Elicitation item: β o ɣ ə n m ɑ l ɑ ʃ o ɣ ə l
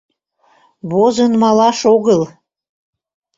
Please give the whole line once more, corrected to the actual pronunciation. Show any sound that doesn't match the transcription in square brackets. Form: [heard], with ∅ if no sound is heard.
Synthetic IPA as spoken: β o [z] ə n m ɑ l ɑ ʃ o ɣ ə l